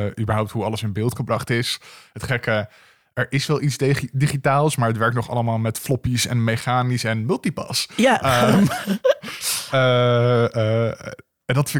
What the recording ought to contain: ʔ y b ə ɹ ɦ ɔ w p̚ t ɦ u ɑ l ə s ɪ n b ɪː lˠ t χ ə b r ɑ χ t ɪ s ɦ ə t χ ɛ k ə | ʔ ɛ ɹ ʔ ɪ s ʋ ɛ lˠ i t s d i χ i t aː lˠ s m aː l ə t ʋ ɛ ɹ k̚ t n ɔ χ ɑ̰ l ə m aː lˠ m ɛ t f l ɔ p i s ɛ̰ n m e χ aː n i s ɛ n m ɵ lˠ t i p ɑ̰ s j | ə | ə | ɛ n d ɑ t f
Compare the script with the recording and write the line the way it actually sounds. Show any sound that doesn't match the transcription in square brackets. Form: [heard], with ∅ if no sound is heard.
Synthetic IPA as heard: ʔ y b ə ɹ ɦ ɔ w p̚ t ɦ u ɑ l ə s ɪ n b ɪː lˠ t χ ə b r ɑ χ t ɪ s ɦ ə t χ ɛ k ə | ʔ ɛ ɹ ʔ ɪ s ʋ ɛ lˠ i t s d i χ i t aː lˠ s m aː [ɹ] ə t ʋ ɛ ɹ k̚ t n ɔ χ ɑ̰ l ə m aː lˠ m ɛ t f l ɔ p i s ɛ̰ n m e χ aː n i s ɛ n m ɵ lˠ t i p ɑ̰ s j | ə | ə | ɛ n d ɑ t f